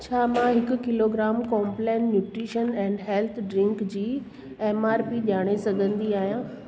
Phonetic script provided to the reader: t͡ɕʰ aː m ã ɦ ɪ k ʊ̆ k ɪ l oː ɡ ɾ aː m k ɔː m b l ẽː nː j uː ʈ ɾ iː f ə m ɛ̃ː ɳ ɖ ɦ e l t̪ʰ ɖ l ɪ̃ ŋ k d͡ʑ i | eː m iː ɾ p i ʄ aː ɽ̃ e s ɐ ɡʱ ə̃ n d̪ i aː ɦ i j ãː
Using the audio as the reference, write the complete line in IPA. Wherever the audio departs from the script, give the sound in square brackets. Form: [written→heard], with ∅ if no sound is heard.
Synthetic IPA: t͡ɕʰ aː m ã ɦ ɪ k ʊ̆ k ɪ l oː ɡ ɾ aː m k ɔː m [b→p] l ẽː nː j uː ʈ ɾ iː [f→ʃ] ə [m→n] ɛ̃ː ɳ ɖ ɦ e l t̪ʰ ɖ [l→ɾ] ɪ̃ ŋ k d͡ʑ [i→iː] | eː m [iː→aː] ɾ p i ʄ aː ɽ̃ e s ɐ ɡʱ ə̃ n d̪ i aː ɦ i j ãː